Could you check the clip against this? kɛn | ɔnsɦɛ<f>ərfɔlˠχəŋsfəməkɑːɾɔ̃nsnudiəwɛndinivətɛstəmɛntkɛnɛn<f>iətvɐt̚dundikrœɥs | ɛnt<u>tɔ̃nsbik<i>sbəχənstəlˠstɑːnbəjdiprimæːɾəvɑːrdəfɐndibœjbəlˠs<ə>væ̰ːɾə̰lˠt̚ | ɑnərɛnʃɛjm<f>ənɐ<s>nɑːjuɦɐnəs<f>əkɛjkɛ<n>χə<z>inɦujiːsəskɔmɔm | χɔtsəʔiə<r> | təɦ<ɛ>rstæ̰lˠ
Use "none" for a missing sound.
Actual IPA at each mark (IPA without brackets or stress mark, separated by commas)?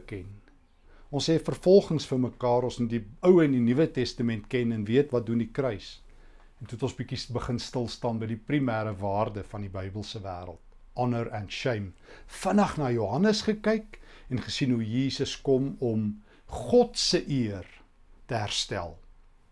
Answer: f, v, u, i, ə, f, χ, χ, n, s, r, æ